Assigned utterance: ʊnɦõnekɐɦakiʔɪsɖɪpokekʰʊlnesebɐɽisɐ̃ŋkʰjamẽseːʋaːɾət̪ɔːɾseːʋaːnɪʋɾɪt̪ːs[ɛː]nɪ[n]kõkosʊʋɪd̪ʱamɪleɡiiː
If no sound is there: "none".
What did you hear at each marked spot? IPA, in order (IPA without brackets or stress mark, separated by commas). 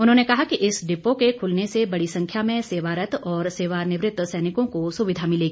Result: ɛː, none